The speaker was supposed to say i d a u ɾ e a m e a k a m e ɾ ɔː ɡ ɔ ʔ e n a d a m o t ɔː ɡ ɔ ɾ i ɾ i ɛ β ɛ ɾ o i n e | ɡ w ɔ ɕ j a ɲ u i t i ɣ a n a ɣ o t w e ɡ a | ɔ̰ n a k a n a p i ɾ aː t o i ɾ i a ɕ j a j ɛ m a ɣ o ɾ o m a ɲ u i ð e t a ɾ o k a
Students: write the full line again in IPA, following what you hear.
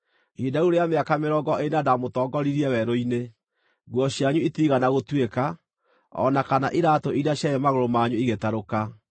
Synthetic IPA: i d a u ɾ e a m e a k a m e ɾ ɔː ɡ ɔ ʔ e n a d a m o t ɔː ɡ ɔ ɾ i ɾ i ɛ w ɛ ɾ o i n e | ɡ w ɔ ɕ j a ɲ u i t i ɣ a n a ɣ o t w e k a | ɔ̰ n a k a n a ʔ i ɾ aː t o i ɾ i a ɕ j a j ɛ m a ɣ o ɾ o m a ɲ u i ɣ e t a ɾ o k a